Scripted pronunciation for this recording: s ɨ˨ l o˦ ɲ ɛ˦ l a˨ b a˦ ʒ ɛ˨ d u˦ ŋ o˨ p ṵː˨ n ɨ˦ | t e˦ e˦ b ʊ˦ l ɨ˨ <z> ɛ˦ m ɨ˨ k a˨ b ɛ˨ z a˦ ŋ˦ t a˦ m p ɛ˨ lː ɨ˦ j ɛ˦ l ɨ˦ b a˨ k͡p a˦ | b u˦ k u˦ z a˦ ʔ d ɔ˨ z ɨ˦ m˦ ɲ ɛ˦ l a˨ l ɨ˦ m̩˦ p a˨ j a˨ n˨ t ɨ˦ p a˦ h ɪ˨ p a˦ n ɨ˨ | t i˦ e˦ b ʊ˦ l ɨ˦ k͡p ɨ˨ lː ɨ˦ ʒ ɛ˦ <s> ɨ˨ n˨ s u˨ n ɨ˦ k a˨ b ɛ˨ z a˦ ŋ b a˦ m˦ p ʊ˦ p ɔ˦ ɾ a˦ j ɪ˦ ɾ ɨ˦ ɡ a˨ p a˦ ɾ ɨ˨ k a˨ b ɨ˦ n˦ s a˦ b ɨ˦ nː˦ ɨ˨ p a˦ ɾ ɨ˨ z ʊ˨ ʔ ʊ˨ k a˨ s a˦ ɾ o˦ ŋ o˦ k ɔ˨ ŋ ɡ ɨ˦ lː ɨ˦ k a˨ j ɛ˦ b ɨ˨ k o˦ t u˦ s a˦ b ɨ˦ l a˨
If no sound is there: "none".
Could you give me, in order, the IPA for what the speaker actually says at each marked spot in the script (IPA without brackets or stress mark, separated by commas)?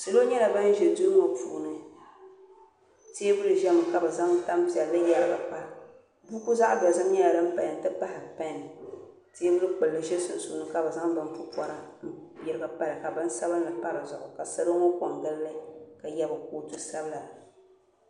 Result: ʒ, s